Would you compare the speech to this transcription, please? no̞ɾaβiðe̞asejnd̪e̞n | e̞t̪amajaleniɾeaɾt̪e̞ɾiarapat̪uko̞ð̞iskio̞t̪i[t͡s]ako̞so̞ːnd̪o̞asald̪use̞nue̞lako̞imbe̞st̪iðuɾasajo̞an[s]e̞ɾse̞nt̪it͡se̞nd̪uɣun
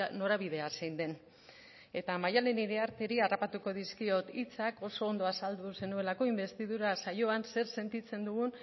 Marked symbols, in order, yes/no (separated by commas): yes, yes